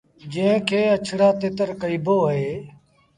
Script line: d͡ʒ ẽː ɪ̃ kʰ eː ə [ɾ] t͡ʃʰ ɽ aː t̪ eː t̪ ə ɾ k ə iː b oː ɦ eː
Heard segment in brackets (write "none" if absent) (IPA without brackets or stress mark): none